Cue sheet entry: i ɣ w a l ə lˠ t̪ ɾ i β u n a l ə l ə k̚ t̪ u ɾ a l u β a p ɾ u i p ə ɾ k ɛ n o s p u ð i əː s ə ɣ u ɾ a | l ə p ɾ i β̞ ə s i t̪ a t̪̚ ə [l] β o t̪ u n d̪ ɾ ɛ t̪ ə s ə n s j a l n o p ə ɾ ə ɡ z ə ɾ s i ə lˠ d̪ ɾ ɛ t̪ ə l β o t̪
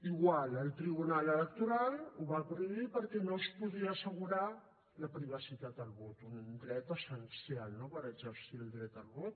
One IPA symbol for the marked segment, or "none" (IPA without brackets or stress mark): l